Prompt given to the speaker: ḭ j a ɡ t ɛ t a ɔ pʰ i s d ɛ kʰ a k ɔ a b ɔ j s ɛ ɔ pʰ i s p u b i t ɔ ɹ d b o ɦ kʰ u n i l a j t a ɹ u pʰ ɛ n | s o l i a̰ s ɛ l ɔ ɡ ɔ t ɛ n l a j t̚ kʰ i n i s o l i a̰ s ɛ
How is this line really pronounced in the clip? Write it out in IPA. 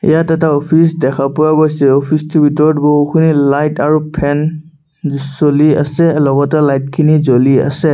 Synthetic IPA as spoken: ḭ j a t ɛ t a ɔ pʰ i s d ɛ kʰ a p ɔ a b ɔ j s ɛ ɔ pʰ i s t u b i t ɔ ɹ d b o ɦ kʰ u n i l a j t a ɹ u pʰ ɛ n | s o l i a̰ s ɛ l ɔ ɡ ɔ t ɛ l a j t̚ kʰ i n i z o l i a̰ s ɛ